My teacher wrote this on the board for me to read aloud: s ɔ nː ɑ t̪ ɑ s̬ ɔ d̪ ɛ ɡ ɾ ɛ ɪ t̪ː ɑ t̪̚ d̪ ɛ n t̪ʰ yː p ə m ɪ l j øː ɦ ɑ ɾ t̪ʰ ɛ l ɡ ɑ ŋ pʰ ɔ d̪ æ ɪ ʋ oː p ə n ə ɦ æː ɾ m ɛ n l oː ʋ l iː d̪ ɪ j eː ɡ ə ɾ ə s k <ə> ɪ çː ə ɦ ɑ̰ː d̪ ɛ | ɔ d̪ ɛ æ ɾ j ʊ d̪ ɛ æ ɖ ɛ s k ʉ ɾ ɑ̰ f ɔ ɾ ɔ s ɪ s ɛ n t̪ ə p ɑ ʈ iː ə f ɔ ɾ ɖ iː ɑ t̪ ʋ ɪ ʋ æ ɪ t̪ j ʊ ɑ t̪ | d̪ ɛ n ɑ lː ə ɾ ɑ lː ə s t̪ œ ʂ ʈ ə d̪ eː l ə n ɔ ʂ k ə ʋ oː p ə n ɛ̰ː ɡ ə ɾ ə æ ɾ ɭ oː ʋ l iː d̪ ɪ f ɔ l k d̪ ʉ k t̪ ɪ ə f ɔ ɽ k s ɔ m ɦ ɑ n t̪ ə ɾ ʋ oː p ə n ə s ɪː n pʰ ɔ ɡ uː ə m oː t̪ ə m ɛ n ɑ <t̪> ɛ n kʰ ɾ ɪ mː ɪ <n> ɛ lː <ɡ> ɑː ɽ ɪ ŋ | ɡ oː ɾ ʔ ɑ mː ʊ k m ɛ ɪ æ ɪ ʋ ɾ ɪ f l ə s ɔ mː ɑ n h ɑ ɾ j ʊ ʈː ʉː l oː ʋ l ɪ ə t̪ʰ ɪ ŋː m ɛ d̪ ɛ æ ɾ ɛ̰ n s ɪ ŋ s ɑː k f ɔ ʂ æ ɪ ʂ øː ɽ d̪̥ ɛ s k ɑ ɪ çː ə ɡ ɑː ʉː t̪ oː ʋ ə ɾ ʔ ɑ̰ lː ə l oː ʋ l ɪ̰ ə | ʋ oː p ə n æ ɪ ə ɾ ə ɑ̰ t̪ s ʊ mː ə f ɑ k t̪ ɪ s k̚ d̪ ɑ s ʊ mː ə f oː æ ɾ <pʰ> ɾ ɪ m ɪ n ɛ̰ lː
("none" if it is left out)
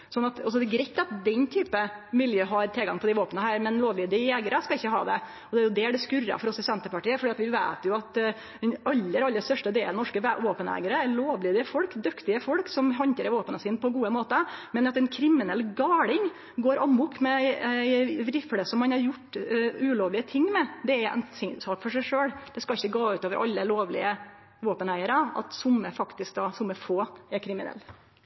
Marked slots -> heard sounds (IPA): ɑ, t̪, n, ɡ, kʰ

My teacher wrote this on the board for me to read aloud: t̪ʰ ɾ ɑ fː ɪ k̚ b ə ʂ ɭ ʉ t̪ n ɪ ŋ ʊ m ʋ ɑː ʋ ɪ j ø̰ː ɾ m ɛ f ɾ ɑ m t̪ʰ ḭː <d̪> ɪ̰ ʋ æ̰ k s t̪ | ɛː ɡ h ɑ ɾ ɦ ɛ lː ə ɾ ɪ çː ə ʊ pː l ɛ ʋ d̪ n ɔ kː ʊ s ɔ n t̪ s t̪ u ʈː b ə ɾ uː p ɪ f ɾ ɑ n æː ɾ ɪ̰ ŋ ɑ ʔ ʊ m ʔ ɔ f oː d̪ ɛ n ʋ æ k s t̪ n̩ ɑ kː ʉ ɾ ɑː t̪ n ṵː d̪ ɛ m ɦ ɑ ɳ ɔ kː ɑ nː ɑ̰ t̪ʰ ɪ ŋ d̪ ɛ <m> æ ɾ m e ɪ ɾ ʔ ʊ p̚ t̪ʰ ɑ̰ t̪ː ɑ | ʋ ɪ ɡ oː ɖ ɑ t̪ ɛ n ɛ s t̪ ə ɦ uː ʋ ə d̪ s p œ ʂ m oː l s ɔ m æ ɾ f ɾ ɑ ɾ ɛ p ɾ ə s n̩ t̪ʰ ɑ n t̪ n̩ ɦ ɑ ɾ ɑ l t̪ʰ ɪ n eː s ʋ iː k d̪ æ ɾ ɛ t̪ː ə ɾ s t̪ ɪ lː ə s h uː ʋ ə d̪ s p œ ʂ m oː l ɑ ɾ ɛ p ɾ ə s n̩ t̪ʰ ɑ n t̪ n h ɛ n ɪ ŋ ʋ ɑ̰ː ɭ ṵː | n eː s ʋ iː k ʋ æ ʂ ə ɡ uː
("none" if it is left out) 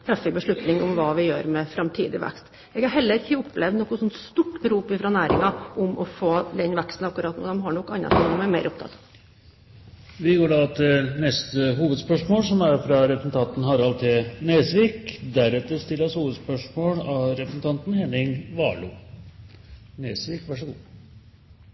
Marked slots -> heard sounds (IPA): d̪, m

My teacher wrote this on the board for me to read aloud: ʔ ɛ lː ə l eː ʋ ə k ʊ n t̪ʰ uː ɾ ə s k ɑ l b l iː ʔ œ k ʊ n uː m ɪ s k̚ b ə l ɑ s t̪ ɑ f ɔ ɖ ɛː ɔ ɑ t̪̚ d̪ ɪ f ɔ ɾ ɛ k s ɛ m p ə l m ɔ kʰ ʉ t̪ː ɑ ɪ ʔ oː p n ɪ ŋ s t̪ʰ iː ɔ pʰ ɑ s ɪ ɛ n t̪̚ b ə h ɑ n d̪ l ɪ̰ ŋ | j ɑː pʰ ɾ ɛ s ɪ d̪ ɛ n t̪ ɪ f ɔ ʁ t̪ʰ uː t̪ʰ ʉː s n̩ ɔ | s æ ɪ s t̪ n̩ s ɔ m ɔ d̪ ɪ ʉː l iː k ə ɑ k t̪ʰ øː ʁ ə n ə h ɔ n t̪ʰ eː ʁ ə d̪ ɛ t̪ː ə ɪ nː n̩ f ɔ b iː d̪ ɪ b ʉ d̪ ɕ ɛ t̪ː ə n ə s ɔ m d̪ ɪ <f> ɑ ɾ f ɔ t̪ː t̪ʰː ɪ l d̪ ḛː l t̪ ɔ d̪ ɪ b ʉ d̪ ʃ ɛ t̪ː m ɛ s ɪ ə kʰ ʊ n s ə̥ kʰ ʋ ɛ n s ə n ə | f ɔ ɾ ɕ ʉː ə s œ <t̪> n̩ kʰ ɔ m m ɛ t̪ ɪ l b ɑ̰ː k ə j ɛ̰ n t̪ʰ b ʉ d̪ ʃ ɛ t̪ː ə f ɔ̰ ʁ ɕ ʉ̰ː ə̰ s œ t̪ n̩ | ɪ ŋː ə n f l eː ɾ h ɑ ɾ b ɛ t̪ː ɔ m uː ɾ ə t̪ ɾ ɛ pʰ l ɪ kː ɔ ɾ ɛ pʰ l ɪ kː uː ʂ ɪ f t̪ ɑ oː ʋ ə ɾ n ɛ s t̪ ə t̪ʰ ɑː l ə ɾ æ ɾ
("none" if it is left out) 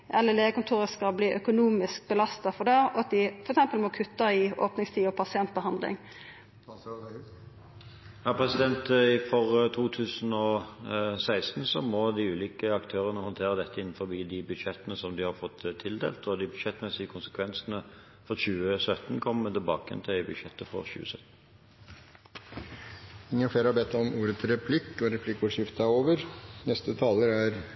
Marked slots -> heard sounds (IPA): h, t̪

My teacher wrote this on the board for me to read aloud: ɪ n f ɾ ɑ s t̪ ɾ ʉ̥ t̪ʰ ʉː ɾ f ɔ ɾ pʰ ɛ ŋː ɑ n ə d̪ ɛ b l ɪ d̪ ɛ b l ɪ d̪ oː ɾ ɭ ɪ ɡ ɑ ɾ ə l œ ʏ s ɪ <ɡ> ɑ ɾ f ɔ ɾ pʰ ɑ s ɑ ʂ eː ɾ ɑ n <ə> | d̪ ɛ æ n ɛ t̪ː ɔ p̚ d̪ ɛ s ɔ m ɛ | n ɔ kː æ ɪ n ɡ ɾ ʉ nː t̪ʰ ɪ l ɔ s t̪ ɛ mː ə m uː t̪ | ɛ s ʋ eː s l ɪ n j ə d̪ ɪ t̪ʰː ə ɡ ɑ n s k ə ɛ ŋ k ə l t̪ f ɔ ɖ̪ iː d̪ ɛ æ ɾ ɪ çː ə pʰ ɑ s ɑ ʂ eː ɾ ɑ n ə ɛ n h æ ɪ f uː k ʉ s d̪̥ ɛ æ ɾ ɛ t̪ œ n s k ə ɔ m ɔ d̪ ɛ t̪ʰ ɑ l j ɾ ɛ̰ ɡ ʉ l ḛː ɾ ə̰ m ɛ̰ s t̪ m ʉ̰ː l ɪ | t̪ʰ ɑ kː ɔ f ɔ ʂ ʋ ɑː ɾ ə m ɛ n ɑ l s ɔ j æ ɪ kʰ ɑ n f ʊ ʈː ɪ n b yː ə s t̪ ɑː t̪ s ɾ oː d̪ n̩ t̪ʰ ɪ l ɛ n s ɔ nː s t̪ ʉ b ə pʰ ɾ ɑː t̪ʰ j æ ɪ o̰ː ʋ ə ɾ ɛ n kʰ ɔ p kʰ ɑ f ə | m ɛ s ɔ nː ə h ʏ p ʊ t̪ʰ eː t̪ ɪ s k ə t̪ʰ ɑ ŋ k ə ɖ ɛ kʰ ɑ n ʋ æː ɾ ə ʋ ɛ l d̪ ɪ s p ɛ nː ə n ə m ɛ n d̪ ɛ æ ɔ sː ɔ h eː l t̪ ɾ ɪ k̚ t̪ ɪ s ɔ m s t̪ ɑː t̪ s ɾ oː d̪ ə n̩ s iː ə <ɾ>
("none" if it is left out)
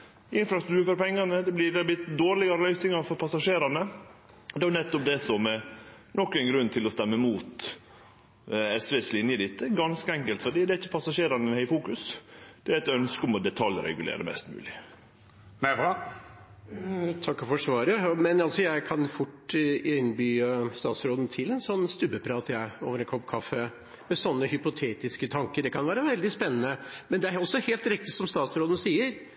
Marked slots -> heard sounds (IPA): ŋ, ə, ɾ

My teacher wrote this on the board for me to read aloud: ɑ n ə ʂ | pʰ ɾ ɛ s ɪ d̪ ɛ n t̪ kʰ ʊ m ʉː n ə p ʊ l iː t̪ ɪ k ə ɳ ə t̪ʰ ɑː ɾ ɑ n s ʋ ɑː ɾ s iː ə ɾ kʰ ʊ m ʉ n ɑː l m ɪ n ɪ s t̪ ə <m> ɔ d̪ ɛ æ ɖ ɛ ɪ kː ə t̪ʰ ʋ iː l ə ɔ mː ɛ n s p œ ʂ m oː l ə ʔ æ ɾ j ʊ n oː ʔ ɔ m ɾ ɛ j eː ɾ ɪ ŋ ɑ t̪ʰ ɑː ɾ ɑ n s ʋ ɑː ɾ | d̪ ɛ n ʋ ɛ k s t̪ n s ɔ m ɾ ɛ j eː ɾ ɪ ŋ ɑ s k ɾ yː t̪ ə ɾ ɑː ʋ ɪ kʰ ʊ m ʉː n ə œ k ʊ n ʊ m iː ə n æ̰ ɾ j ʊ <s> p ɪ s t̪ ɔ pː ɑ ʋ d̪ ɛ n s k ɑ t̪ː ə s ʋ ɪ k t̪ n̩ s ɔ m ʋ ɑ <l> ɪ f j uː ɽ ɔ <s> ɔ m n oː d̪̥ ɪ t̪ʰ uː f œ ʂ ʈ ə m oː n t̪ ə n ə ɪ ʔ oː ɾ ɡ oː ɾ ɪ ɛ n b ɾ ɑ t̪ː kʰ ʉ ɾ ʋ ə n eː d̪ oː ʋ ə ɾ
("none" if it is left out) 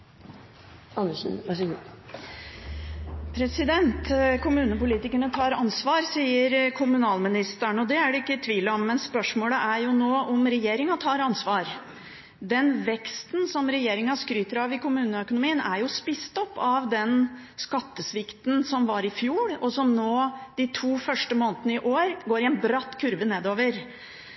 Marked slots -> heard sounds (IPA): ɳ, s, ɾ, s

